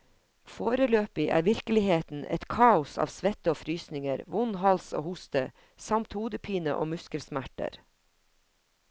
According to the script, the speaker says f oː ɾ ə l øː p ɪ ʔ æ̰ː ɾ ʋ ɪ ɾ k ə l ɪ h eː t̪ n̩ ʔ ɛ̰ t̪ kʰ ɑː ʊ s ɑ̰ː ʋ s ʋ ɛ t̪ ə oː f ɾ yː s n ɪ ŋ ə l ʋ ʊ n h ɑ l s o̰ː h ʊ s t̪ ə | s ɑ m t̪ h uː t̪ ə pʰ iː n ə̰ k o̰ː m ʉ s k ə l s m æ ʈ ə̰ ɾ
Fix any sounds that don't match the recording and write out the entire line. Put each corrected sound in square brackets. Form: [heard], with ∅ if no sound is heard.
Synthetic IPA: f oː ɾ ə l øː p ɪ ʔ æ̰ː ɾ ʋ ɪ ɾ k ə l ɪ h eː t̪ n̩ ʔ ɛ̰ t̪ kʰ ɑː ʊ s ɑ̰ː ʋ s ʋ ɛ t̪ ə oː f ɾ yː s n ɪ ŋ ə [ɾ] ʋ ʊ n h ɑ l s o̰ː h ʊ s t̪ ə | s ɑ m t̪ h uː [d̪] ə pʰ iː n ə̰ [ʔ] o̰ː m ʉ s k ə l s m æ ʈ ə̰ ɾ